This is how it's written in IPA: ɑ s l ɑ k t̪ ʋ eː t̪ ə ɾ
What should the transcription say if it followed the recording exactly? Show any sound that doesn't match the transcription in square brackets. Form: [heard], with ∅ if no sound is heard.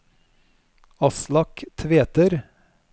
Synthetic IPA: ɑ s l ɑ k [t̪ʰ] ʋ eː t̪ ə ɾ